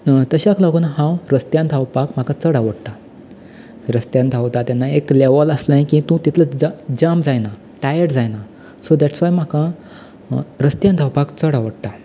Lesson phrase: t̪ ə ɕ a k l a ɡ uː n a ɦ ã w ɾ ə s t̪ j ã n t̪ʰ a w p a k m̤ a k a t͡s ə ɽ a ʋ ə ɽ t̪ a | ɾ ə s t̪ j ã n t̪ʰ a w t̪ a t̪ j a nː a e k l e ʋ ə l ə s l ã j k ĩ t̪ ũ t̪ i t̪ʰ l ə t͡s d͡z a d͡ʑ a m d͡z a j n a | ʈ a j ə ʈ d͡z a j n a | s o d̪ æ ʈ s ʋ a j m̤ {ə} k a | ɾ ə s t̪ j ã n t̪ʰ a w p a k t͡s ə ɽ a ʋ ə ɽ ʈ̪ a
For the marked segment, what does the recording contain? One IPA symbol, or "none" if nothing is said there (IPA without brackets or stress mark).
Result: a